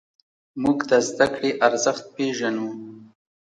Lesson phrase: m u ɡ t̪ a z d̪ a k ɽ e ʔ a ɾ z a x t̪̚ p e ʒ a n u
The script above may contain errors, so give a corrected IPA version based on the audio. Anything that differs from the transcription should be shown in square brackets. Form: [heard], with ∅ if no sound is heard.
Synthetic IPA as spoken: m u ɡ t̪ a z d̪ a k ɽ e ʔ a ɾ z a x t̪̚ p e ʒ a n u